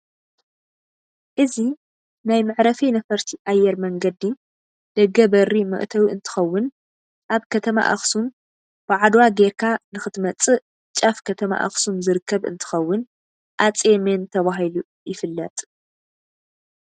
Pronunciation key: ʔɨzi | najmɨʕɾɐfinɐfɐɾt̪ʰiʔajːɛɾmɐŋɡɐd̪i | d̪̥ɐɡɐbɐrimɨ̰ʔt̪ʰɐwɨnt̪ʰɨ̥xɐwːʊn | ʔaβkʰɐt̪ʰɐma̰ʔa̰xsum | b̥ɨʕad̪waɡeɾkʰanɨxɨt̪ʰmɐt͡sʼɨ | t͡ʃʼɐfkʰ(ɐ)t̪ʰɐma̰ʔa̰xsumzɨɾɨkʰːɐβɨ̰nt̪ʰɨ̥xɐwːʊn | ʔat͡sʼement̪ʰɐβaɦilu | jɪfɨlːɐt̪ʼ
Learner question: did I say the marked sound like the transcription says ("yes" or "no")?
yes